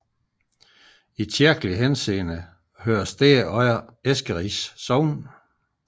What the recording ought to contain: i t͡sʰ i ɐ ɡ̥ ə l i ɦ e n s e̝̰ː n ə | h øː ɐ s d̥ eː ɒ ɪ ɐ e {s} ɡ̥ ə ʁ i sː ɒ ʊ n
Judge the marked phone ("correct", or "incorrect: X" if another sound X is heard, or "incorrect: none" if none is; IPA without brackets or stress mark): correct